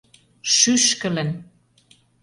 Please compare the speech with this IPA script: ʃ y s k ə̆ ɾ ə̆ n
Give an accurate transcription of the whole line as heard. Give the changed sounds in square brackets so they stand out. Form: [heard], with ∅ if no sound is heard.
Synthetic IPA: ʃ y [ʃ] k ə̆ [l] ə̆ n